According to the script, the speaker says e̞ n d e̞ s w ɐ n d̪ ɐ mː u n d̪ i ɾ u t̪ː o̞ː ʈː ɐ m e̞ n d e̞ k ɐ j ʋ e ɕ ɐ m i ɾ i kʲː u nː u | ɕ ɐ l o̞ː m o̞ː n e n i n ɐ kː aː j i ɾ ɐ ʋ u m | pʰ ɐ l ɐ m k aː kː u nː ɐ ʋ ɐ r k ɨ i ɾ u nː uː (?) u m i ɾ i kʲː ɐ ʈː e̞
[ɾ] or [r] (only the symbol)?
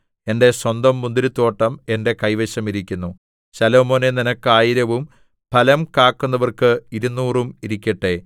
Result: r